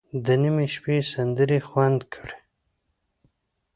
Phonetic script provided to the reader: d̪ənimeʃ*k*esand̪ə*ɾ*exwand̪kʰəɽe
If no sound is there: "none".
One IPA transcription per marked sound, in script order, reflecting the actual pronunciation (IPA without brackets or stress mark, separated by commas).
p, ɾ